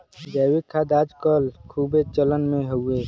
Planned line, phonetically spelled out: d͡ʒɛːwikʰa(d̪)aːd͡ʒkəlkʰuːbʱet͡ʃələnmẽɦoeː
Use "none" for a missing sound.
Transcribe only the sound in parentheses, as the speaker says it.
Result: d̪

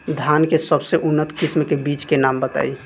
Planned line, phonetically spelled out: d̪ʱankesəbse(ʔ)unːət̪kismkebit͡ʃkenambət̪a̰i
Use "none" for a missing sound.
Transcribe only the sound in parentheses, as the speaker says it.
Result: ʔ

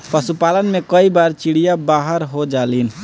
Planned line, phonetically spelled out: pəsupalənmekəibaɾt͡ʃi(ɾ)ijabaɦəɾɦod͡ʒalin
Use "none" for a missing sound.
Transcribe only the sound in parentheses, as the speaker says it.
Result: ɽ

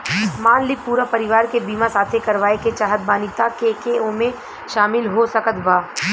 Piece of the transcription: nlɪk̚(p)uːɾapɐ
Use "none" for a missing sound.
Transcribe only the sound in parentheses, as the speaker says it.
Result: p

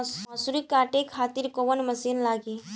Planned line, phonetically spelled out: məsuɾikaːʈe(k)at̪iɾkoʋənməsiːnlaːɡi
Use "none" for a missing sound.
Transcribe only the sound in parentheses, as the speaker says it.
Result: kʰ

